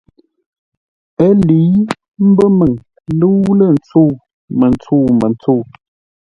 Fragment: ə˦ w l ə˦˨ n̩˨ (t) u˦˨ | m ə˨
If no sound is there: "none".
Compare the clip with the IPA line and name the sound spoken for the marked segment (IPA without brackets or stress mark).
t͡s